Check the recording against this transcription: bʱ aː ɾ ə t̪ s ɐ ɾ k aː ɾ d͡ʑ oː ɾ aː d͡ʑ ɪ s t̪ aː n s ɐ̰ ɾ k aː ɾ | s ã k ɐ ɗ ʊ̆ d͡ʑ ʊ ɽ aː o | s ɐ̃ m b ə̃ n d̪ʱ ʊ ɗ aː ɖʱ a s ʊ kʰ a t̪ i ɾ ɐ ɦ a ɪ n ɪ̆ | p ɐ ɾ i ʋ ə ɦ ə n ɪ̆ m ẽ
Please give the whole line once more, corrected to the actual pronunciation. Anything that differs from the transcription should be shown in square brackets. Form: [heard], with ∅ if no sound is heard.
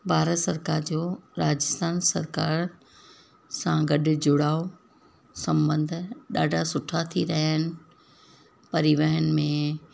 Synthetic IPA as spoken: bʱ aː ɾ ə t̪ s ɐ ɾ k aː ɾ d͡ʑ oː ɾ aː d͡ʑ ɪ s t̪ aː n s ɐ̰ ɾ k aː ɾ | s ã [ɡ] ɐ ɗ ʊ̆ d͡ʑ ʊ ɽ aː o | s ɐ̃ m b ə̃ n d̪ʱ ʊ ɗ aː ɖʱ a s ʊ [ʈʰ] a [t̪ʰ] i ɾ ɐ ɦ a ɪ n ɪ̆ | p ɐ ɾ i ʋ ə ɦ ə n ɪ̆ m ẽ